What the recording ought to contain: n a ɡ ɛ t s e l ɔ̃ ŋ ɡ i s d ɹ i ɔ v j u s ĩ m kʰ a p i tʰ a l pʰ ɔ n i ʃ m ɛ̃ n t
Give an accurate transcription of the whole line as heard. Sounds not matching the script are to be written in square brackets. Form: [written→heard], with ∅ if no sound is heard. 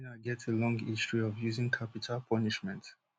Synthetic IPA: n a ɡ ɛ t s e l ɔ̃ ŋ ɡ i s [d→t] ɹ i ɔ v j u [s→z] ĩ [m→ŋ] kʰ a p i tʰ a l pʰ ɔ n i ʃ m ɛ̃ n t

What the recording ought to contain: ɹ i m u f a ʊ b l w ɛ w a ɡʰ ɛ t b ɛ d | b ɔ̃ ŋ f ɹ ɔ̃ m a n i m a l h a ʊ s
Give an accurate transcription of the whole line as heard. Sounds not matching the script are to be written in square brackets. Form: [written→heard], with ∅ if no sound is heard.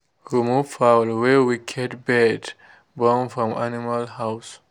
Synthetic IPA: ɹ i m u f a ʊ [b→∅] l w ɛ w [a→i] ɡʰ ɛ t b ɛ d | b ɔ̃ [ŋ→n] f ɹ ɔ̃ m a n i m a l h a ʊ s

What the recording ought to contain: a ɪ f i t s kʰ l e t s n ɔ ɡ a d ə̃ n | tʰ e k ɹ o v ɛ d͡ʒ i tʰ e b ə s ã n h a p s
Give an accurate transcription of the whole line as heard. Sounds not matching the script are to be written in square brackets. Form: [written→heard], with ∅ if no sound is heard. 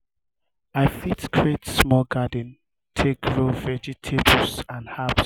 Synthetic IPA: a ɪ f i t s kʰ [l→ɹ] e t s [n→m] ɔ ɡ a d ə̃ n | tʰ e k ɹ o v ɛ d͡ʒ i tʰ e b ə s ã n h a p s

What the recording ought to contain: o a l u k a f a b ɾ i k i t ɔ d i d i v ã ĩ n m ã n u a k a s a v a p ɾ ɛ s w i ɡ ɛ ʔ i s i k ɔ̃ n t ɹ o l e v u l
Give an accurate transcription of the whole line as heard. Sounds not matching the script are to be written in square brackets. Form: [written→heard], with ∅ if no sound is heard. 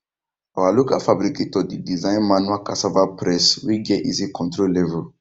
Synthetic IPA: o a l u k a f a b ɾ i k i t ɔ d i d i [v→z] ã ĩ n m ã n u a k a s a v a p ɾ ɛ s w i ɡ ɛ ʔ i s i k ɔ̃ n t [ɹ→ɾ] o l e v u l

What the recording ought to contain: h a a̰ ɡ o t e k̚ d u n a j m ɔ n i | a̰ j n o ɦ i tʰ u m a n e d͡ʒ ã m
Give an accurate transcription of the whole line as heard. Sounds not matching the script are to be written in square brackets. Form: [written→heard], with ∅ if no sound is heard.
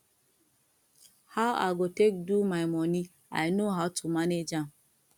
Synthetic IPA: h a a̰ ɡ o t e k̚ d u [n→m] a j m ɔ n i | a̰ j n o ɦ [i→a] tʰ u m a n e d͡ʒ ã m

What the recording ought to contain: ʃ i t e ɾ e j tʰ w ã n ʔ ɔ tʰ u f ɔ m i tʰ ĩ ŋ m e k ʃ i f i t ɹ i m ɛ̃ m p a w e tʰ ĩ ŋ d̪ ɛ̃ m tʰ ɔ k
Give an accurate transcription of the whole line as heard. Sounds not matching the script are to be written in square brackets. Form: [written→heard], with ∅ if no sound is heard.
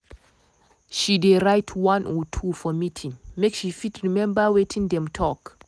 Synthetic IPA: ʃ i [t→d] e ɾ [e→a] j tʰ w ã n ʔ ɔ tʰ u f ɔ m i tʰ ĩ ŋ m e k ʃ i f i t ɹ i m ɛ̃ m [p→b] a w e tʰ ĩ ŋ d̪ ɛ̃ m tʰ ɔ k

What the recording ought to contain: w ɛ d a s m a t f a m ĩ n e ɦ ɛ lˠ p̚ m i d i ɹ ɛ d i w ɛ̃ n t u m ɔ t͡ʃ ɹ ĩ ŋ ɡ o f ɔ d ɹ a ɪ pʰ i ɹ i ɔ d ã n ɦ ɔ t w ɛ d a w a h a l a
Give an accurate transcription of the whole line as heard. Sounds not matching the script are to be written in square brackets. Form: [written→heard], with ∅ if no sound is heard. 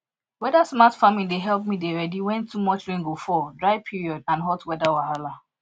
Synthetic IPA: w ɛ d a s m a t f a m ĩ [n→d] e ɦ ɛ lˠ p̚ m i d [i→e] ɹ ɛ d i w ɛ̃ n t u m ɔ t͡ʃ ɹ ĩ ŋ ɡ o f ɔ d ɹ a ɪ pʰ i ɹ i ɔ d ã n ɦ ɔ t w ɛ d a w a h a l a

